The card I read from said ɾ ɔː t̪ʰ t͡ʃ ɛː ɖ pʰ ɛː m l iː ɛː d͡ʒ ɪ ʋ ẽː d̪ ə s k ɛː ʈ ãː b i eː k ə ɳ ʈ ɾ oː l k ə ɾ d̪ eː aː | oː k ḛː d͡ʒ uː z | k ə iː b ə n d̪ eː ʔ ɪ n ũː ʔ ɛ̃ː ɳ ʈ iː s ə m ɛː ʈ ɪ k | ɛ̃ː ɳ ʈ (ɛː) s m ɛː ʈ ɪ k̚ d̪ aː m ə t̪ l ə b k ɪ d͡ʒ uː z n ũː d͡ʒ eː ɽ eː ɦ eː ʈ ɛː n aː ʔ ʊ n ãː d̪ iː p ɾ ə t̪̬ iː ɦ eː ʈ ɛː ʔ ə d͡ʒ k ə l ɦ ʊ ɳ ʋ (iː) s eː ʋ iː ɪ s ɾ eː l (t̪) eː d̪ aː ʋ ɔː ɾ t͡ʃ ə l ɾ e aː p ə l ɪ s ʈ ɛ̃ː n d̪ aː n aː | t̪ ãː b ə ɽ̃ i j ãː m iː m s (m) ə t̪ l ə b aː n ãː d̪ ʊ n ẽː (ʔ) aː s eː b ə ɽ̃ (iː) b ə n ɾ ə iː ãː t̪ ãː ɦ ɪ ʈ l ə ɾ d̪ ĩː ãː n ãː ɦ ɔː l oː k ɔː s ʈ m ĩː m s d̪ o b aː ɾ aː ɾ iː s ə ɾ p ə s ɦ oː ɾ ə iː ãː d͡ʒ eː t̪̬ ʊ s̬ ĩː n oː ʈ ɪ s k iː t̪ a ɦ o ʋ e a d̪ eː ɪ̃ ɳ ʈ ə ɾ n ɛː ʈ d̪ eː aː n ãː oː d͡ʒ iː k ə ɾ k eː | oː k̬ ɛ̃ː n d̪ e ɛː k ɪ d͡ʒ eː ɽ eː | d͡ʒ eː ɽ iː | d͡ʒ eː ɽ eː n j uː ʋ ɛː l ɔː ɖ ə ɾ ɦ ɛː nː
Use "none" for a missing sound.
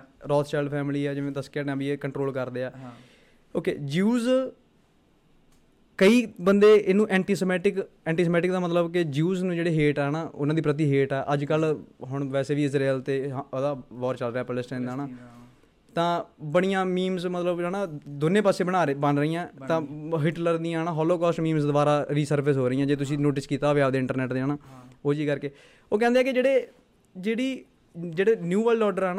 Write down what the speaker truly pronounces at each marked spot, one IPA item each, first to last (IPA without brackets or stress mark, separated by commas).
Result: iː, ɛː, t̪, m, p, aː